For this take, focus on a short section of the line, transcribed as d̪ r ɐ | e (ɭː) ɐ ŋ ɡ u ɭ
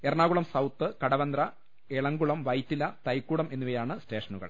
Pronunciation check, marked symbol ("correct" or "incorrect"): incorrect